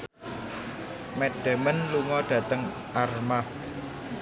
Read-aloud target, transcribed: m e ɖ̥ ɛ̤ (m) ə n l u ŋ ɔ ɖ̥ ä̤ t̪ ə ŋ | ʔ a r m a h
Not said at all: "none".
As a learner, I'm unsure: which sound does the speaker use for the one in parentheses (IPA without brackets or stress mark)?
m